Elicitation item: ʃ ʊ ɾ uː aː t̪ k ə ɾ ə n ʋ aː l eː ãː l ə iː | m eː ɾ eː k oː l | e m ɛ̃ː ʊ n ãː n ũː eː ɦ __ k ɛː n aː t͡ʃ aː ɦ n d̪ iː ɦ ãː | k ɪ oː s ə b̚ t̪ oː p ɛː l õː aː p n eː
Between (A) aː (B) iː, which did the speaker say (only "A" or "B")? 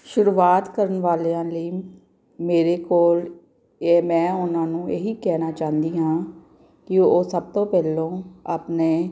B